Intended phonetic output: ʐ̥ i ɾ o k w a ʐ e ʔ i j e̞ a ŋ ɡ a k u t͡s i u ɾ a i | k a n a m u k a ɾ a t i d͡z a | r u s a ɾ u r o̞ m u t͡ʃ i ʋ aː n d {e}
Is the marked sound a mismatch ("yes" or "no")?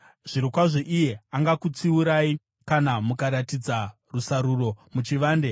no